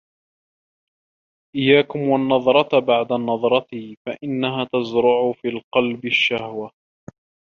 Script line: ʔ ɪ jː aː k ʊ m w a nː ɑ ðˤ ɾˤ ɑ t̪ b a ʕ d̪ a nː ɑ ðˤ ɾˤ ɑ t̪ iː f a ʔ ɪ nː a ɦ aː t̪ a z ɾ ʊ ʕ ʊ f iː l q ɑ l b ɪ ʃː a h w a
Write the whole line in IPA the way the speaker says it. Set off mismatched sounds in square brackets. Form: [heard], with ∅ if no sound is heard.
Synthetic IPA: ʔ ɪ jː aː k ʊ m w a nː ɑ ðˤ ɾˤ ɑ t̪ b a ʕ d̪ a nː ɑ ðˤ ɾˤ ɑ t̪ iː f a ʔ ɪ nː a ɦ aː t̪ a z ɾ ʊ ʕ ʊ f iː l q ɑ l b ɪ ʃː a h w a